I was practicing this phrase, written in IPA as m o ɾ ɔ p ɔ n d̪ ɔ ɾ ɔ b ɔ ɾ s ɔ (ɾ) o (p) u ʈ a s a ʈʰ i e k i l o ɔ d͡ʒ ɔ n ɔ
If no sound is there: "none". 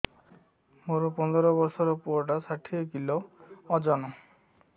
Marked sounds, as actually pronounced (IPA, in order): ɾ, p

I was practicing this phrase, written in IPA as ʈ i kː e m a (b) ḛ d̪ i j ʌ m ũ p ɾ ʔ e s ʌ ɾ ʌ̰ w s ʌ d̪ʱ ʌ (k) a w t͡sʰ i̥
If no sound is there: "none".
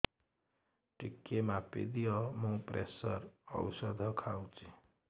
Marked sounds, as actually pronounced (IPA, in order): p, kʰ

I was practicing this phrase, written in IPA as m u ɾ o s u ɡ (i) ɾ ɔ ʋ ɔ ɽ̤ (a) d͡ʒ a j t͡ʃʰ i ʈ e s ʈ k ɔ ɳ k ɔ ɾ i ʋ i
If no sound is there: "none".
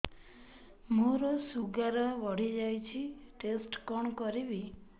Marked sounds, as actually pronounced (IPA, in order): a, i

